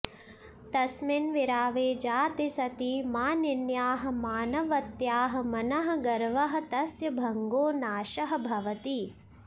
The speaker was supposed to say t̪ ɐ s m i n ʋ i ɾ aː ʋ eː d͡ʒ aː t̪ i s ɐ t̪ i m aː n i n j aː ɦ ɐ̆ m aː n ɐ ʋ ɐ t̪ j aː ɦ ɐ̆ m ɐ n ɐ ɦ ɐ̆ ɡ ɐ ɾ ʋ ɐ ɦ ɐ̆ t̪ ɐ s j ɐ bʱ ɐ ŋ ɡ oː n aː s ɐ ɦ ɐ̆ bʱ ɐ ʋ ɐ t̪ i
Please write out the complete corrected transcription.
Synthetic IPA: t̪ ɐ s m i n ʋ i ɾ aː ʋ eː d͡ʒ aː t̪ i s ɐ t̪ i m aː n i n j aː ɦ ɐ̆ m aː n ɐ ʋ ɐ t̪ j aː ɦ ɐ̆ m ɐ n ɐ ɦ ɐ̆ ɡ ɐ ɾ ʋ ɐ ɦ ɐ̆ t̪ ɐ s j ɐ bʱ ɐ ŋ ɡ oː n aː ʃ ɐ ɦ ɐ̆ bʱ ɐ ʋ ɐ t̪ i